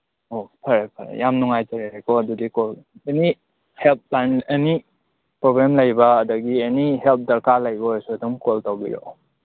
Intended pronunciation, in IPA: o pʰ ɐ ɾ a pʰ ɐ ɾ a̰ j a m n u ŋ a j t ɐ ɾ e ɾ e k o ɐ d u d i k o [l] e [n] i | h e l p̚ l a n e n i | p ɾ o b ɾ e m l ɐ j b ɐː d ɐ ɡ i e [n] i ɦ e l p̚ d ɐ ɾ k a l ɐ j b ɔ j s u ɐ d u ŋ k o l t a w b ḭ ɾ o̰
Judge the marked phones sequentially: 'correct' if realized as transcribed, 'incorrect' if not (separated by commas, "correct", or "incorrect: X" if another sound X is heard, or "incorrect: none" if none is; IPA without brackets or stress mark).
correct, correct, correct